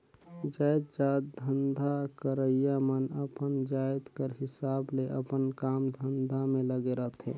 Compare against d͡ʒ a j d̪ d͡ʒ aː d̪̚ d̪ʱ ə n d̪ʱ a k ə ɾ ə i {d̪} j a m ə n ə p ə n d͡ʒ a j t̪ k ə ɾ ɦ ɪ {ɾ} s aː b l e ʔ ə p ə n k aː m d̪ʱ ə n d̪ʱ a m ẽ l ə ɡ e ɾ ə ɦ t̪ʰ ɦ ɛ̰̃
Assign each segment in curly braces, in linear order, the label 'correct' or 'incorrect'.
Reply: incorrect: none, incorrect: none

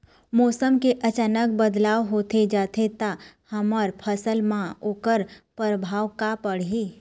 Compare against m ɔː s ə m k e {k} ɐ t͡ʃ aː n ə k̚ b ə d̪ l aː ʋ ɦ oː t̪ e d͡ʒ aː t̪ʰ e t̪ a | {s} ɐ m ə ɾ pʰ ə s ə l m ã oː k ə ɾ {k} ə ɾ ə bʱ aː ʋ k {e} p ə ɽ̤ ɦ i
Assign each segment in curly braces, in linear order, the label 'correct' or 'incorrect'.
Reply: incorrect: ʔ, incorrect: h, incorrect: p, incorrect: a

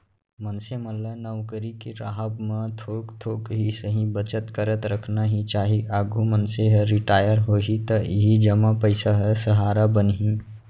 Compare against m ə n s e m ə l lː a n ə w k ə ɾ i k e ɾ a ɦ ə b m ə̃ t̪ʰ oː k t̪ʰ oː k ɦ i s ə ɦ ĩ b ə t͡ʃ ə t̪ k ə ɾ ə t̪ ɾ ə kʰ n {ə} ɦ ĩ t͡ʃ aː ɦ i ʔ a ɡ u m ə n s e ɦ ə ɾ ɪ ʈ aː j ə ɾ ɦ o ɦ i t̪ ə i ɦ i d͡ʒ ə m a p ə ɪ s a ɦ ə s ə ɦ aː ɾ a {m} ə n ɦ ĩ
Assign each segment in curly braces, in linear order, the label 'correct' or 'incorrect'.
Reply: incorrect: a, incorrect: b

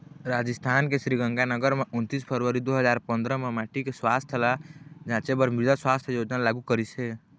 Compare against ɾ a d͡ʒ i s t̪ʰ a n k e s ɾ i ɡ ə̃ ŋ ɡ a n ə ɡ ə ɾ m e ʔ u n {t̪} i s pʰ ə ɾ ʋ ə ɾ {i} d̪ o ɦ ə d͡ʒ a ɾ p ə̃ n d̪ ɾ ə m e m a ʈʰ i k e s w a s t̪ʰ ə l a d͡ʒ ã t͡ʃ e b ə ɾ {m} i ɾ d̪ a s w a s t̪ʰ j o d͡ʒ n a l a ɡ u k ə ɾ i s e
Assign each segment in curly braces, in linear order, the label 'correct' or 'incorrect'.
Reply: correct, correct, correct

